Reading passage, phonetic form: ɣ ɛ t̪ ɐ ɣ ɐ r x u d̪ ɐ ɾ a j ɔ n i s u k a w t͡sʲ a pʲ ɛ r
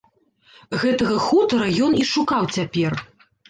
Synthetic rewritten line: ɣ ɛ t̪ ɐ ɣ ɐ x u t̪ ɐ ɾ ɐ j ɔ n i ʂ u k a w t͡sʲ a pʲ ɛ r